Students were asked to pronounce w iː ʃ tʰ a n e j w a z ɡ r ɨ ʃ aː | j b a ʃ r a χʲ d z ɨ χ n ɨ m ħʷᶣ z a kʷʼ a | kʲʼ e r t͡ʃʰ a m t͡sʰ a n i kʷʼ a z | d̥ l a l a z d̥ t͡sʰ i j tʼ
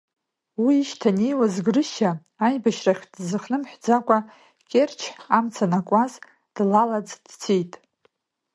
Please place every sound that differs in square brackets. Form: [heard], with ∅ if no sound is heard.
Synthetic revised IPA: w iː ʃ tʰ a n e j w a z ɡ r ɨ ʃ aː | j b a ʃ r a χʲ d z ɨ χ n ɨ m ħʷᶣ [d͡z] a kʷʼ a | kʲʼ e r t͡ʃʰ a m t͡sʰ a n [a] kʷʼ a z | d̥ l a l a [d͡z] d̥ t͡sʰ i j tʼ